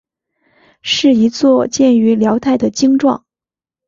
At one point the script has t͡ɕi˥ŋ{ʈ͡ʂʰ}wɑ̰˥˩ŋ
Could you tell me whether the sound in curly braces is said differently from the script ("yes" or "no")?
yes